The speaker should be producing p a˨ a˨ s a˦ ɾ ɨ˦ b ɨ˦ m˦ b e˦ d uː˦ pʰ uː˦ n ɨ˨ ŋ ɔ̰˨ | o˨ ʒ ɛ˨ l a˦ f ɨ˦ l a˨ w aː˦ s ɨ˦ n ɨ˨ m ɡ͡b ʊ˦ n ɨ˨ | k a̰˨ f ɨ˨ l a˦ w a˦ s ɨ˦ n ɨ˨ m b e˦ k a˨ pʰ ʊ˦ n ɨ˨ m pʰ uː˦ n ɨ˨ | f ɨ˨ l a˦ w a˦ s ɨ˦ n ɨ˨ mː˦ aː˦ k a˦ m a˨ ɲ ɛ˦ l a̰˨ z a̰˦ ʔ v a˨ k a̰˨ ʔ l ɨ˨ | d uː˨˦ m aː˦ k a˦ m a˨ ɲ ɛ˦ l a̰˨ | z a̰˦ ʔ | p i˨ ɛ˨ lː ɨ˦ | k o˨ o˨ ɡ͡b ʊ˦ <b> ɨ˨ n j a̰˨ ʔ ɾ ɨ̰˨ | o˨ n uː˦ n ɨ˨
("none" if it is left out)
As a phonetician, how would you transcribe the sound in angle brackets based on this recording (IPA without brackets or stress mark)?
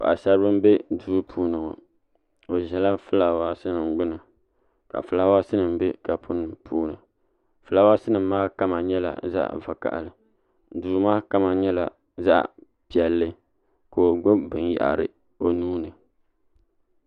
b